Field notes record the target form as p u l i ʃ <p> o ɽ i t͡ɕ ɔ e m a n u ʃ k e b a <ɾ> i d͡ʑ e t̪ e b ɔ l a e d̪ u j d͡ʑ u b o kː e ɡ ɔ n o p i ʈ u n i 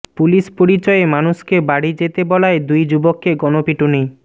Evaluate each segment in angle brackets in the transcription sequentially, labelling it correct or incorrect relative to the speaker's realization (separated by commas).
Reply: correct, incorrect